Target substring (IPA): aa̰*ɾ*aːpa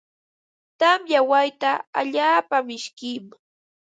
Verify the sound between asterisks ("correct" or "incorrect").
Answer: incorrect